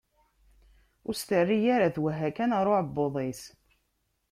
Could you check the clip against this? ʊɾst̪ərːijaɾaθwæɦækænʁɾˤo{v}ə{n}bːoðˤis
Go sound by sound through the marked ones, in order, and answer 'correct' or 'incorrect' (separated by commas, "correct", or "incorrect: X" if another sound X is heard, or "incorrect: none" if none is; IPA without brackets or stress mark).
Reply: incorrect: ʕ, incorrect: none